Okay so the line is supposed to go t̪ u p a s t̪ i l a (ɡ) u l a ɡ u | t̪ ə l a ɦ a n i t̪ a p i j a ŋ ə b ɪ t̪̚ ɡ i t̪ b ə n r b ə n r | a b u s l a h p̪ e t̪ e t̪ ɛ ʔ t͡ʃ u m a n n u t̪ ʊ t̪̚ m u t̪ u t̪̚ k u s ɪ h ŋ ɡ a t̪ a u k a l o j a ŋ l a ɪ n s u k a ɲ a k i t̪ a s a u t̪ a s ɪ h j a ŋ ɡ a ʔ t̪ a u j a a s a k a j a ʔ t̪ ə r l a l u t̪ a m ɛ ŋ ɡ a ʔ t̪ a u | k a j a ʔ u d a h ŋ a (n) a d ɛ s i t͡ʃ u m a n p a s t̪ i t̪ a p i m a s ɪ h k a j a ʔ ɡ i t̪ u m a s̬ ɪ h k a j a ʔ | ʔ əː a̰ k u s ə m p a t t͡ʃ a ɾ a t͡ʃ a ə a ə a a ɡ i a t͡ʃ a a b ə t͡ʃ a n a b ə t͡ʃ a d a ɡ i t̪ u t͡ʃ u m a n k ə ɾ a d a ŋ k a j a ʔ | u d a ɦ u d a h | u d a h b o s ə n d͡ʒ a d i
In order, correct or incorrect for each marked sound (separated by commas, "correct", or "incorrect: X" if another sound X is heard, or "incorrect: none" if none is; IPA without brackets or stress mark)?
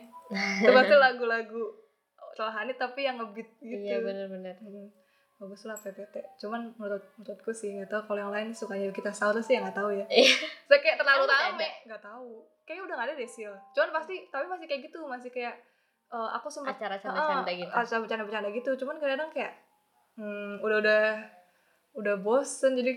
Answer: correct, incorrect: d